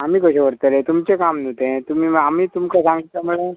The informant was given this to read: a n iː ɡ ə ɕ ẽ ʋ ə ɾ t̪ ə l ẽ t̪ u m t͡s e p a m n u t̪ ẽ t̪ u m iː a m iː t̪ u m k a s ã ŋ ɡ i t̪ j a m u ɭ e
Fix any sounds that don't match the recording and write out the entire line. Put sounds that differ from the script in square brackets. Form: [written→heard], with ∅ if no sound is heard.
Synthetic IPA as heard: a [n→m] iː [ɡ→k] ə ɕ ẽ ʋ ə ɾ t̪ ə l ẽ t̪ u m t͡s e [p→k] a m n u t̪ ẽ t̪ u m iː a m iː t̪ u m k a s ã ŋ ɡ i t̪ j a m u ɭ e